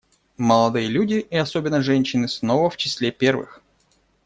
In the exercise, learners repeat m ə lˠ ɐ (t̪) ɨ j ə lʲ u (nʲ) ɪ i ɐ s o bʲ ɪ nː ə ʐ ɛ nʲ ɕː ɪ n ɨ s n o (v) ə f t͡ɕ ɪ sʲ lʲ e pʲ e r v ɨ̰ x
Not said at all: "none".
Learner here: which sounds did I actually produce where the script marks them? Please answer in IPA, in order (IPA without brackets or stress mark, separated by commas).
d̪, dʲ, v